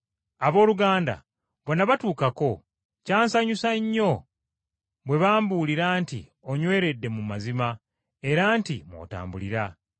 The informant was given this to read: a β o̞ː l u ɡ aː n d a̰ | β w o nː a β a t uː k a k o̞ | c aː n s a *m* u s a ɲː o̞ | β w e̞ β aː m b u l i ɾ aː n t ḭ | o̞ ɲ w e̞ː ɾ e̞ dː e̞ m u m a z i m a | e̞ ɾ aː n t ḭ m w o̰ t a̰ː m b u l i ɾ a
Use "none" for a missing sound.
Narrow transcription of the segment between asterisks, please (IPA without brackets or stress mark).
ɲ